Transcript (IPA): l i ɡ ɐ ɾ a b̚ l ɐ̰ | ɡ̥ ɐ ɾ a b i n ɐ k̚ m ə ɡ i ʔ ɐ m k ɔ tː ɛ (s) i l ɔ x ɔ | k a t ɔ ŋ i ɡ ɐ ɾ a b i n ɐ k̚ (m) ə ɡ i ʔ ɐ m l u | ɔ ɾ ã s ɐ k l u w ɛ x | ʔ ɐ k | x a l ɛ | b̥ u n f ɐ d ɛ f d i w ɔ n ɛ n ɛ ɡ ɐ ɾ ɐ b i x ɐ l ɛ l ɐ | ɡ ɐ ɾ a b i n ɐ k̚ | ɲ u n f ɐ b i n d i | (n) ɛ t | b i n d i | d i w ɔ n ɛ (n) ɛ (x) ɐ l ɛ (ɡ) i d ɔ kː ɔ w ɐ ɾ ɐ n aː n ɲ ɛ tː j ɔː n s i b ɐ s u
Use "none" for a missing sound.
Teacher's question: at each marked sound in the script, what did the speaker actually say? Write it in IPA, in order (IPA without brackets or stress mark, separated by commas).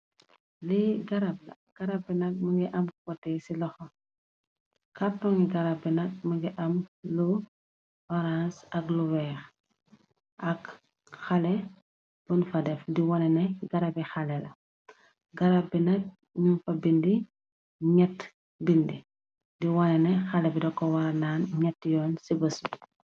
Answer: s, m, ɲ, n, x, b